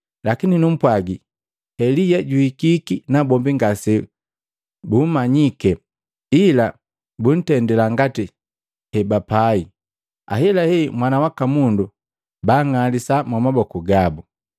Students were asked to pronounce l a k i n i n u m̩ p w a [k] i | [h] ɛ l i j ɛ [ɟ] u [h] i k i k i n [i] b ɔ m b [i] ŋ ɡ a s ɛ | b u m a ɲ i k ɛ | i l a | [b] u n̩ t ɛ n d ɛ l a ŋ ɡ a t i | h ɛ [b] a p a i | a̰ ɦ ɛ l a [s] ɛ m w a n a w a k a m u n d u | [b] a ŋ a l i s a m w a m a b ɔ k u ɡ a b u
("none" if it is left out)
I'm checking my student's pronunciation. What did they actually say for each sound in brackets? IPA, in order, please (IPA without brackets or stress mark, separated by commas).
ɡ, h, ɟ, h, a, i, b, b, h, b